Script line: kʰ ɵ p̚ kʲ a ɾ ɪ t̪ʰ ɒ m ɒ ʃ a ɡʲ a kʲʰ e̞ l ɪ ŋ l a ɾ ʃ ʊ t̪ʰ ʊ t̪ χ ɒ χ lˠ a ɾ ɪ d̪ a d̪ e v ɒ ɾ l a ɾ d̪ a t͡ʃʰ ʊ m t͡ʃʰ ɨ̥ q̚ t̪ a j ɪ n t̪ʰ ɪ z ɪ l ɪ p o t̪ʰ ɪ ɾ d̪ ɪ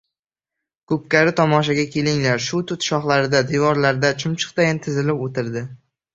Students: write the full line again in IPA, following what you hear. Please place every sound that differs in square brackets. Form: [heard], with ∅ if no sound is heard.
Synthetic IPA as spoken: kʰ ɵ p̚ kʲ a ɾ ɪ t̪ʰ ɒ m ɒ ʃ a ɡʲ a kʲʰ e̞ l ɪ ŋ l a ɾ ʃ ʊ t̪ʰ ʊ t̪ [ʃ] ɒ χ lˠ a ɾ ɪ d̪ a d̪ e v ɒ ɾ l a ɾ d̪ a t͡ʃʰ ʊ m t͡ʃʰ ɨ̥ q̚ t̪ a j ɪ n t̪ʰ ɪ z ɪ l ɪ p o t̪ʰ ɪ ɾ d̪ ɪ